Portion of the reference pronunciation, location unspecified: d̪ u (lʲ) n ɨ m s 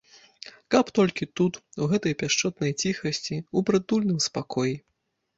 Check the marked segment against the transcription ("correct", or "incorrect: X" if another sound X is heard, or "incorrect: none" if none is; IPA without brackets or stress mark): correct